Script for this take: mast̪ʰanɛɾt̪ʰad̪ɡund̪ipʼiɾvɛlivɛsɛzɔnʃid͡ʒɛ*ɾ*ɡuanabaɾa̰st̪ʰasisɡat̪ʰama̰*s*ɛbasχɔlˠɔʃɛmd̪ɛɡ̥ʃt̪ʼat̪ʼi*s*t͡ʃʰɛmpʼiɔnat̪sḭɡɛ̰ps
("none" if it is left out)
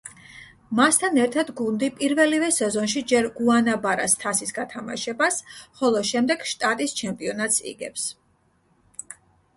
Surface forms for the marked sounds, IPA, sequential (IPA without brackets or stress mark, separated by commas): ɾ, ʃ, s